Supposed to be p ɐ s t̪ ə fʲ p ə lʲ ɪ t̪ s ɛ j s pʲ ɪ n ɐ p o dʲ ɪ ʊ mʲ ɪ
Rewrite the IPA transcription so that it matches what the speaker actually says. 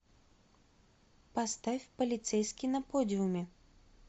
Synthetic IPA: p ɐ s t̪ a fʲ p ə lʲ ɪ t̪ s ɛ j s kʲ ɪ n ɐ p o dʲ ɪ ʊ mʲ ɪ